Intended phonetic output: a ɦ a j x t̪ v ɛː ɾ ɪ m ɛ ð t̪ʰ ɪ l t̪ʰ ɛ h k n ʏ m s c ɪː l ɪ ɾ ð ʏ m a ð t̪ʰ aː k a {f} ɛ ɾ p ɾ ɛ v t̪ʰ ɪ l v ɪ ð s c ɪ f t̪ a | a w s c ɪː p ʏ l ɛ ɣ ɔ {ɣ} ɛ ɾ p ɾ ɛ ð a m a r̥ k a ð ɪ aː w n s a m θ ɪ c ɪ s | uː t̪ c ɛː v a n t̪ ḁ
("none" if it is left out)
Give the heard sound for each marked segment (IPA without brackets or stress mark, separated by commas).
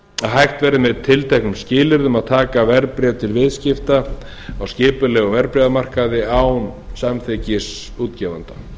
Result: v, v